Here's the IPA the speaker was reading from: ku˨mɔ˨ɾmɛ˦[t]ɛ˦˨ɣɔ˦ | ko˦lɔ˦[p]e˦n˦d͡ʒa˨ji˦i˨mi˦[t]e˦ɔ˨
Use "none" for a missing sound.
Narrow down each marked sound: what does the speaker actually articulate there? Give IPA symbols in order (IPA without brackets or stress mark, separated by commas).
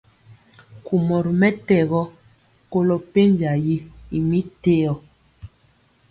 t, p, t